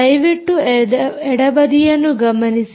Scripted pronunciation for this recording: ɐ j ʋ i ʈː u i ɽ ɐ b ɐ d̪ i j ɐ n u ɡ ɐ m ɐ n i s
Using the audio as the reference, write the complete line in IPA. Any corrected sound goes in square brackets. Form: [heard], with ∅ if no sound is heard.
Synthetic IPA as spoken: ɐ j ʋ i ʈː u [ɛ] ɽ ɐ b ɐ d̪ i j ɐ [nː] u ɡ ɐ m ɐ n i s